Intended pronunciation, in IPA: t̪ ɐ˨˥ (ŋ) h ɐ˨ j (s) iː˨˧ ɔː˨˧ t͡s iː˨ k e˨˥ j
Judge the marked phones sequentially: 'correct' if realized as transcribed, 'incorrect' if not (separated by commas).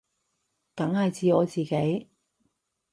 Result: correct, incorrect